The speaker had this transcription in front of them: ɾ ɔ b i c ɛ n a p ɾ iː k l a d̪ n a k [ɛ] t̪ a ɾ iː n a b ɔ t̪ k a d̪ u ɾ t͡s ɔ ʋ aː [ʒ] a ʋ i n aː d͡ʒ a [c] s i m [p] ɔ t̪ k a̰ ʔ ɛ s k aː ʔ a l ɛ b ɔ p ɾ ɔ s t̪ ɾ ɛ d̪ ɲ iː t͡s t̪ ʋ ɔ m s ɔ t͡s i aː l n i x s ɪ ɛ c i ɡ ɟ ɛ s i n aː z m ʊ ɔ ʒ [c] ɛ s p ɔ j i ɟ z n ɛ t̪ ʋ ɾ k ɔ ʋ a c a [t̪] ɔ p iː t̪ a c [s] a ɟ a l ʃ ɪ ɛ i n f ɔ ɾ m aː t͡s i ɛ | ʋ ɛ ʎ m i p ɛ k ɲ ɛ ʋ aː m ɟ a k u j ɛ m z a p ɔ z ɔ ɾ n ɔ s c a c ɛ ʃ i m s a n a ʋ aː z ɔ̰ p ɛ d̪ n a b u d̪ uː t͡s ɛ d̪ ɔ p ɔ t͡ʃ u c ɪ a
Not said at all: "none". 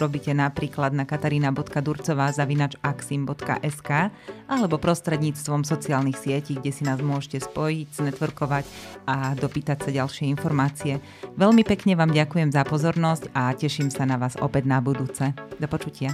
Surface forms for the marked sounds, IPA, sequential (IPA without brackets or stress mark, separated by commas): a, z, k, b, c, d̪, s